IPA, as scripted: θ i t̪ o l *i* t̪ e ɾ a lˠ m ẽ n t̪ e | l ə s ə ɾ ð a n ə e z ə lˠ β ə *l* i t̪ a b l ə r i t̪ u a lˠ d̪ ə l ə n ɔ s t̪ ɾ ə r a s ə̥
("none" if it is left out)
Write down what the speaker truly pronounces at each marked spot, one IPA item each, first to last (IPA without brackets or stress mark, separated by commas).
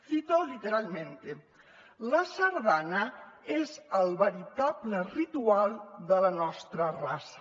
i, ɾ